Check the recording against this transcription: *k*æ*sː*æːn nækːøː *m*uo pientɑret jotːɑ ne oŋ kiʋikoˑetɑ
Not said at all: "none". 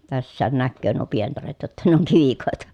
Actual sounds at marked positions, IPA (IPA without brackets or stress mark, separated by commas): t, sː, n